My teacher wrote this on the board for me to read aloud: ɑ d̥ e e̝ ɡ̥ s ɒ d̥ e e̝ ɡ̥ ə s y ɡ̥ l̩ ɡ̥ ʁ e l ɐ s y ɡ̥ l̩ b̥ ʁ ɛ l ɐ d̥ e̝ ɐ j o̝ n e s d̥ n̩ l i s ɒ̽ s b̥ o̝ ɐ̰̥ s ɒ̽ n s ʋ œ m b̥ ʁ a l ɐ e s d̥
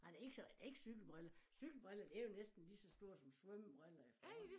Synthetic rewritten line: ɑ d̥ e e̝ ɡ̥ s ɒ d̥ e e̝ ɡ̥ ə s y ɡ̥ l̩ b̥ ʁ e l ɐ s y ɡ̥ l̩ b̥ ʁ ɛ l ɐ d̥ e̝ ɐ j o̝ n e s d̥ n̩ l i s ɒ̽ s d̥ o̝ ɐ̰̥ s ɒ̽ m s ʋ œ m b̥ ʁ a l ɐ e f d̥